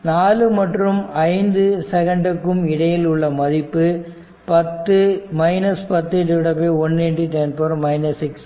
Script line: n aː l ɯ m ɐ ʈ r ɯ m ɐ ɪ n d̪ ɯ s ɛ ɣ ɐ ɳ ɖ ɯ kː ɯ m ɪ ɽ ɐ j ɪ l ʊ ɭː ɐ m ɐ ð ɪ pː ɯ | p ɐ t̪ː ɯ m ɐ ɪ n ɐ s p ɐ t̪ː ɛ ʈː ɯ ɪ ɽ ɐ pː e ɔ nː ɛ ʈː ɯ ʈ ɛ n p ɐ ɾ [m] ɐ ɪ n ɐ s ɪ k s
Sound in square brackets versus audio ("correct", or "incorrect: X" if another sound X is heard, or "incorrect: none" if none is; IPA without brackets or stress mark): correct